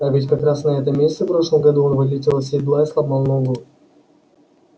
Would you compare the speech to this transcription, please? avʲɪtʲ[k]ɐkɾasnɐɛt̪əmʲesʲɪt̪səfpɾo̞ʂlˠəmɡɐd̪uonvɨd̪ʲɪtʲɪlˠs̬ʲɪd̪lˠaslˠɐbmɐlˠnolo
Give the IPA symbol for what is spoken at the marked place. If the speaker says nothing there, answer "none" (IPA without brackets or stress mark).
k